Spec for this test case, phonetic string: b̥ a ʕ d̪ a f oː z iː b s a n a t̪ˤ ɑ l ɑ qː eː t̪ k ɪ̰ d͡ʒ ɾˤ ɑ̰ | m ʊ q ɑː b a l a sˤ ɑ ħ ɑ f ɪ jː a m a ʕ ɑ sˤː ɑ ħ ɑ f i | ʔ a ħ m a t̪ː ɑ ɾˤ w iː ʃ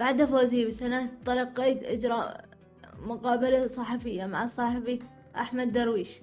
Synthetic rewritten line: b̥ a ʕ d̪ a f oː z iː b s a n a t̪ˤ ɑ l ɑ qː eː t̪ ʔ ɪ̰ d͡ʒ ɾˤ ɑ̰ | m ʊ q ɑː b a l a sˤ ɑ ħ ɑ f ɪ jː a m a ʕ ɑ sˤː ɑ ħ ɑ f i | ʔ a ħ m a d̪ː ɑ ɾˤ w iː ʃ